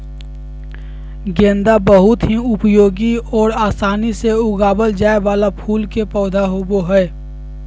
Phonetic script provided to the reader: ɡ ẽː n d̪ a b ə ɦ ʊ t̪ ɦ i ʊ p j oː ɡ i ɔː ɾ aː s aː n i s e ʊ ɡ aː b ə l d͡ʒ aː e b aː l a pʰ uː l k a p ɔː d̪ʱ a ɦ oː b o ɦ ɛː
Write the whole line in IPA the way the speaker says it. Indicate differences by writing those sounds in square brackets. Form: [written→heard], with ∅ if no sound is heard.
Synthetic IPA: ɡ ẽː n d̪ a b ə ɦ ʊ t̪ ɦ i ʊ p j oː ɡ i ɔː ɾ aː s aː n i s e ʊ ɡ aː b ə l d͡ʒ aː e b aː l a pʰ uː l k [a→e] p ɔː d̪ʱ a ɦ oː b o ɦ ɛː

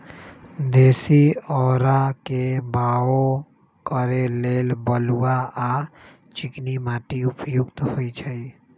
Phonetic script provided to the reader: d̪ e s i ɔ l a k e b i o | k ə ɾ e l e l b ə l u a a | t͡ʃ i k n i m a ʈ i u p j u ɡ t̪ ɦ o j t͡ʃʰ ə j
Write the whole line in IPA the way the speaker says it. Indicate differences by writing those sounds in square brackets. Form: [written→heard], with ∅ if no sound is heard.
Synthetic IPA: d̪ e s i ɔ [l→ɾ] a k e b [i→a] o | k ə ɾ e l e l b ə l u a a | t͡ʃ i k n i m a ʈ i u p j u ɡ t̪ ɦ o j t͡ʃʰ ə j

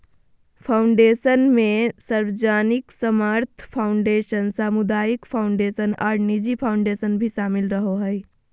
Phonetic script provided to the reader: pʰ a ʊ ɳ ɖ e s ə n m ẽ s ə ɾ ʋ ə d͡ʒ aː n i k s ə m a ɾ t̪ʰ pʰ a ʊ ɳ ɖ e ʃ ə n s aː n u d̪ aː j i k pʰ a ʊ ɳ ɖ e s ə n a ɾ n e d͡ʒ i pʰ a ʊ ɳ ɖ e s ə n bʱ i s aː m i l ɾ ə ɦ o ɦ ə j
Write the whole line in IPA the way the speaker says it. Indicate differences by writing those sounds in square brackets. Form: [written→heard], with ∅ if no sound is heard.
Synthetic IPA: pʰ a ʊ ɳ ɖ e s ə n m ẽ s ə ɾ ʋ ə d͡ʒ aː n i k s ə m a ɾ t̪ʰ pʰ a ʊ ɳ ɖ e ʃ ə n s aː [n→m] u d̪ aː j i k pʰ a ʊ ɳ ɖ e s ə n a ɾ n [e→i] d͡ʒ i pʰ a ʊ ɳ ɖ e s ə n bʱ i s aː m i l ɾ ə ɦ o ɦ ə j

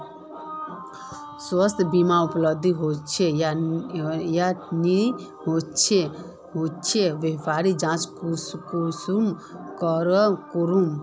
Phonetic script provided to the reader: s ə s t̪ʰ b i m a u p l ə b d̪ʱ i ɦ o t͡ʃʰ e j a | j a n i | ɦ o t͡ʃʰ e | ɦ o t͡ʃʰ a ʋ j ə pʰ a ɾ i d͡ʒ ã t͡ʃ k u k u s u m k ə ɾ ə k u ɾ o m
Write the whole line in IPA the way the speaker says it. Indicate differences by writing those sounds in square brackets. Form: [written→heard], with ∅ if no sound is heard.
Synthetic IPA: s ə s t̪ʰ b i m a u p l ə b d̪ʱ i ɦ o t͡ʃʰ e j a | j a n i | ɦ o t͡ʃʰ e | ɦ o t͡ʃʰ [a→e] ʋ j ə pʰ a ɾ i d͡ʒ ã t͡ʃ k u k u s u m k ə ɾ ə k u ɾ [o→u] m

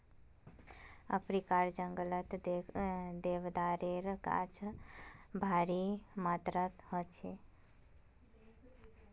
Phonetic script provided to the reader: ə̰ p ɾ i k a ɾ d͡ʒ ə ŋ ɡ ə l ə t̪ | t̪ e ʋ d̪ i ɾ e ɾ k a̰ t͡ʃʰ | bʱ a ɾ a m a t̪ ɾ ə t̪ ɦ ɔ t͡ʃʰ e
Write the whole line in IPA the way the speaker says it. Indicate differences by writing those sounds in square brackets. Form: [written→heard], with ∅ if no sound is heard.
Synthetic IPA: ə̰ p ɾ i k a ɾ d͡ʒ ə ŋ ɡ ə l ə t̪ | [t̪→d̪] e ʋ d̪ [i→a] ɾ e ɾ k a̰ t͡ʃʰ | bʱ a ɾ [a→i] m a t̪ ɾ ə t̪ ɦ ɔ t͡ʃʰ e

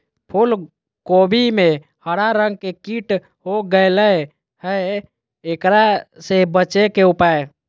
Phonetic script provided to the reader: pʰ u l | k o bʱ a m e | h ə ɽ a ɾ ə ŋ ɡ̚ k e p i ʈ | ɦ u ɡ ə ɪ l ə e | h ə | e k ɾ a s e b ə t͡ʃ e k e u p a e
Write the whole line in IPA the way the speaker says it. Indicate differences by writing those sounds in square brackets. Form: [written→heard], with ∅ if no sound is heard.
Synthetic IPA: pʰ u l | k o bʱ [a→i] m e | h ə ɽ a ɾ ə ŋ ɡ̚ k e [p→k] i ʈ | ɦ [u→o] ɡ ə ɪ l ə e | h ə | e k ɾ a s e b ə t͡ʃ e k e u p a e

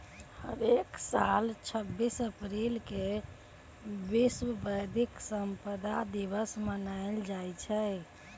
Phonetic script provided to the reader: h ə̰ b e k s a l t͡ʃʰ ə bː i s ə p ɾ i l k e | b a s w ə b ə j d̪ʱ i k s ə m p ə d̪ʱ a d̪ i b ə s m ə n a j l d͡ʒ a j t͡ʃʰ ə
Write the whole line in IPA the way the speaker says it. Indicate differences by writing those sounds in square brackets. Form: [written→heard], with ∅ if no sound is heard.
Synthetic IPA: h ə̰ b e k s a l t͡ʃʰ ə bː i s ə p ɾ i l k e | b [a→i] s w ə b ə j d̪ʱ i k s ə m p ə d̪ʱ a d̪ i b ə s m ə n a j l d͡ʒ a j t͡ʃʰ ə

